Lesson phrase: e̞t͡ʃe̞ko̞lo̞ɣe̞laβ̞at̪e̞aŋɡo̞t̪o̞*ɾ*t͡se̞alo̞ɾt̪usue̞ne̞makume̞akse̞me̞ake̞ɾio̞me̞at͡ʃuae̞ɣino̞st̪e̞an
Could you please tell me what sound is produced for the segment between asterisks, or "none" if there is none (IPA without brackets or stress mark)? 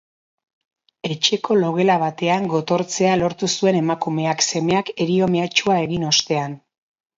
ɾ